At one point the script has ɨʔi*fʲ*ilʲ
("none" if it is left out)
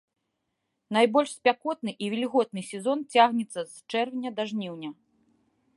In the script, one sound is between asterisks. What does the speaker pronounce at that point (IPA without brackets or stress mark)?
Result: vʲ